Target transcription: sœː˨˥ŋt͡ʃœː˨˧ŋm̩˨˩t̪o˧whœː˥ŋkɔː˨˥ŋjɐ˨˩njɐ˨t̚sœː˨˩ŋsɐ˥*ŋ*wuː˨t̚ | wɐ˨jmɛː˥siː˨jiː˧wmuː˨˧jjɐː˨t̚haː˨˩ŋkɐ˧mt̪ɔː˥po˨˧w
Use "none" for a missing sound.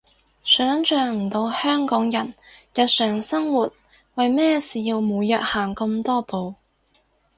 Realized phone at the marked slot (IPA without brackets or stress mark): ŋ